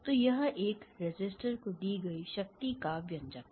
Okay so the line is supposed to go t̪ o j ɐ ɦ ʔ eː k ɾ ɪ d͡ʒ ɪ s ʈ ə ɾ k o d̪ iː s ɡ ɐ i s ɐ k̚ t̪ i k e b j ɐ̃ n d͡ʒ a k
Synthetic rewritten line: t̪ o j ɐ ɦ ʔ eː k ɾ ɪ d͡ʒ ɪ s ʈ ə ɾ k o d̪ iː ɡ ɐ i ʃ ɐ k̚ t̪ i k a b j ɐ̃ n d͡ʒ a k

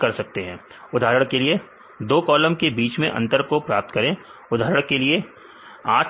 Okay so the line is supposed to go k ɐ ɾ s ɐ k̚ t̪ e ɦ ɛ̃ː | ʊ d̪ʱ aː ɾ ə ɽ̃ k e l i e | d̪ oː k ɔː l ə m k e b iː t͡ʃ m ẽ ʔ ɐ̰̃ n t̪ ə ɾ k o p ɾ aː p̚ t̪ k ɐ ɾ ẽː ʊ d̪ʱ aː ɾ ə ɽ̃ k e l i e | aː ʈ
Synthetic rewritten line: k ɐ ɾ s ɐ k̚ t̪ e ɦ ɛ̃ː | ʊ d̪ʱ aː ɾ ə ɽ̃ k e l i e | d̪ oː k ɔː l ə m k e b iː t͡ʃ m ẽ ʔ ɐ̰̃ n t̪ ə ɾ k o p ɾ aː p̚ t̪ k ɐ ɾ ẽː ʊ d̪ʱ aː ɾ ə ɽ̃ k e l i e | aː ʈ

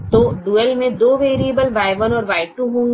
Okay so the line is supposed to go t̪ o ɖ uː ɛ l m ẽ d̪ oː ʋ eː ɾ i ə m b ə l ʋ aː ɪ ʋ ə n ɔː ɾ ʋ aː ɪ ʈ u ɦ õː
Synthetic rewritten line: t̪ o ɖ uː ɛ l m ẽ d̪ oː ʋ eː ɾ i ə b ə l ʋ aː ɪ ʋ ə n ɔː ɾ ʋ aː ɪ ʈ u ɦ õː

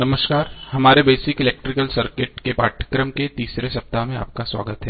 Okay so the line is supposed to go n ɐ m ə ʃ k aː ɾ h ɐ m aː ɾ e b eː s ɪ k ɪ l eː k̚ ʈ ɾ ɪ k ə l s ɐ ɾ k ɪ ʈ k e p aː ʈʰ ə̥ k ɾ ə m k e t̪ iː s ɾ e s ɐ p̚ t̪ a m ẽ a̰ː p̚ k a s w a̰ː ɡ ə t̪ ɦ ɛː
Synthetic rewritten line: n ɐ m ə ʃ k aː ɾ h ɐ m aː ɾ e b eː s ɪ k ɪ l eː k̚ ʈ ɾ ɪ k ə l s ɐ ɾ k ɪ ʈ k e p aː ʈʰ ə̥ k ɾ ə m k e t̪ iː s ɾ e s ɐ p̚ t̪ a m ẽ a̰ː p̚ k a s w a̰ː ɡ ə t̪ ɦ ɛː

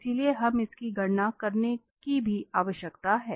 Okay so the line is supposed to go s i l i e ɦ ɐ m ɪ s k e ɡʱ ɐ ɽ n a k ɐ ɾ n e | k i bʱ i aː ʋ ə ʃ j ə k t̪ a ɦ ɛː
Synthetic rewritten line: s i l i e ɦ ɐ m ɪ s k i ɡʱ ɐ ɽ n a k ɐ ɾ n e | k i bʱ i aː ʋ ə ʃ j ə k t̪ a ɦ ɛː

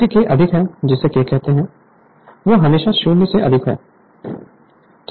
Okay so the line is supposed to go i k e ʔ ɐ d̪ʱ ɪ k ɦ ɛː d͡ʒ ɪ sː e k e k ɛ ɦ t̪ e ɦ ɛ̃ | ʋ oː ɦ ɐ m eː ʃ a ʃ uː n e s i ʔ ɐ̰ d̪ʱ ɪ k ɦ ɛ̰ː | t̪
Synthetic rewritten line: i k e ʔ ɐ d̪ʱ ɪ k ɦ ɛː d͡ʒ ɪ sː e k e k ɛ ɦ t̪ e ɦ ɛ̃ | ʋ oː ɦ ɐ m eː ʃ a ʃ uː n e s e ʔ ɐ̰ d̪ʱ ɪ k ɦ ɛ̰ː | t̪

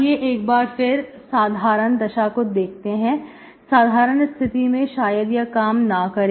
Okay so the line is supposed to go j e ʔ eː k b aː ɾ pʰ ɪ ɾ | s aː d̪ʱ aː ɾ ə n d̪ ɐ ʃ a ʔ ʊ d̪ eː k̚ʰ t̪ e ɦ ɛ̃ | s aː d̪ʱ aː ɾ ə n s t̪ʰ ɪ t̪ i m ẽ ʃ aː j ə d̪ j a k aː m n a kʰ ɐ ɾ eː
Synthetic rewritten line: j e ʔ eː k b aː ɾ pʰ ɪ ɾ | s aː d̪ʱ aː ɾ ə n d̪ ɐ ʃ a k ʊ d̪ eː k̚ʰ t̪ e ɦ ɛ̃ | s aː d̪ʱ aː ɾ ə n s t̪ʰ ɪ t̪ i m ẽ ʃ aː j ə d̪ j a k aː m n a k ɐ ɾ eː

